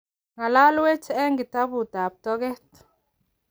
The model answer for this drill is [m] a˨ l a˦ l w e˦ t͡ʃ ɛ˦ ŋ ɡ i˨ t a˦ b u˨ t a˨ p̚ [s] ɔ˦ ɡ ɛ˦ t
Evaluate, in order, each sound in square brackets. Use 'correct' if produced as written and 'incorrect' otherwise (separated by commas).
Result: incorrect, incorrect